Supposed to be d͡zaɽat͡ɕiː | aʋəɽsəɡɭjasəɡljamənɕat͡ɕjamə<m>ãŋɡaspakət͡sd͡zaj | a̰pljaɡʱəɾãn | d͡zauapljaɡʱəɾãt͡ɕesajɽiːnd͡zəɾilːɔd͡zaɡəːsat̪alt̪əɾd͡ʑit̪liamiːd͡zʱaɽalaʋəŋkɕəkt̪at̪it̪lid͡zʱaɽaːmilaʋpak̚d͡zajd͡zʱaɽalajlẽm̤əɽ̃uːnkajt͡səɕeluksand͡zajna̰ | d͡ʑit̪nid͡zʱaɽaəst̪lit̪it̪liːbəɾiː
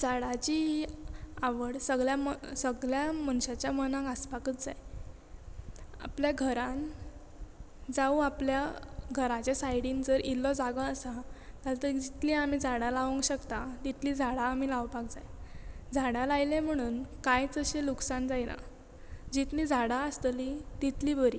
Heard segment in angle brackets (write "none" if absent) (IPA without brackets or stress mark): n